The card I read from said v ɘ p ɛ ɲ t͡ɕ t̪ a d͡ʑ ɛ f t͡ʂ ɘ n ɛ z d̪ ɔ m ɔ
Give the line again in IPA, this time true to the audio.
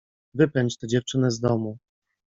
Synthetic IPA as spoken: v ɘ p ɛ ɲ t͡ɕ t̪ ɛ d͡ʑ ɛ f t͡ʂ ɘ n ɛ z d̪ ɔ m u